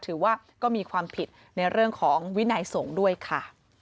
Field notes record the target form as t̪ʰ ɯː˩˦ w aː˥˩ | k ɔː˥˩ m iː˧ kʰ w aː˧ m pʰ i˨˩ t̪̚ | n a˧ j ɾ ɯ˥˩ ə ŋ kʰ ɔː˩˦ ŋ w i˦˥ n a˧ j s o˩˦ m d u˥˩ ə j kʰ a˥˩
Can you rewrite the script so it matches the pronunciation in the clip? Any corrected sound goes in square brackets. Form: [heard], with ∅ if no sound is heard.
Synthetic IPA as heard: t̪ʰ ɯː˩˦ w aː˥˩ | k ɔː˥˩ m iː˧ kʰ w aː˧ m pʰ i˨˩ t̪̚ | n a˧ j ɾ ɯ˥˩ ə ŋ kʰ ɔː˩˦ ŋ w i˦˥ n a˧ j s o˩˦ [ŋ] d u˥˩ ə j kʰ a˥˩